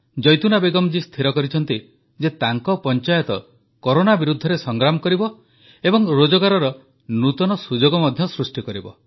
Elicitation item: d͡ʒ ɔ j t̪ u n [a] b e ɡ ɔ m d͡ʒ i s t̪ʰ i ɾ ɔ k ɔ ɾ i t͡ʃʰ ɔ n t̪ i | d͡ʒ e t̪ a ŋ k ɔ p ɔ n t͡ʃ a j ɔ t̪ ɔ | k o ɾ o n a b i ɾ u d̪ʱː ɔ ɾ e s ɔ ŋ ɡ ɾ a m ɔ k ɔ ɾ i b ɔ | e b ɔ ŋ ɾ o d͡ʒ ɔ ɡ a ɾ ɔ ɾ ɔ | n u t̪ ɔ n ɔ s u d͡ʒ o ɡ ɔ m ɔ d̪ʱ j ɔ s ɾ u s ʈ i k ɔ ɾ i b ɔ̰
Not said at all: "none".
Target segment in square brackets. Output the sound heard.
a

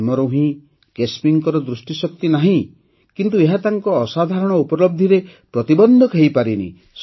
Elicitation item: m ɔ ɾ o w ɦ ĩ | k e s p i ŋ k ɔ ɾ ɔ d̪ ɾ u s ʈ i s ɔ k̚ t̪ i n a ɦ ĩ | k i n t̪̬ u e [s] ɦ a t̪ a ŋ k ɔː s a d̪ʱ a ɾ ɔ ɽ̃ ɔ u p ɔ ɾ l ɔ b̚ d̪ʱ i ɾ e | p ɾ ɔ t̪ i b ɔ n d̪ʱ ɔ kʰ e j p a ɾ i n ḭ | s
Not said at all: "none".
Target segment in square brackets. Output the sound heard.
none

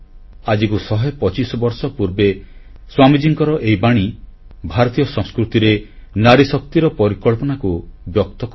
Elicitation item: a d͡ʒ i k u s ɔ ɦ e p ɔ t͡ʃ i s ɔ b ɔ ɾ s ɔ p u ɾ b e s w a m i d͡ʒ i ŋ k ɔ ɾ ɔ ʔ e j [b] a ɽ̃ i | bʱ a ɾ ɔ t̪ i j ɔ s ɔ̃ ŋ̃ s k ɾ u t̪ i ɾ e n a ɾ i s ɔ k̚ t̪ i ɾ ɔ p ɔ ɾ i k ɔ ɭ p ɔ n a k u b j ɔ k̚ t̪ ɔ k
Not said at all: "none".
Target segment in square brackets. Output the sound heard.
b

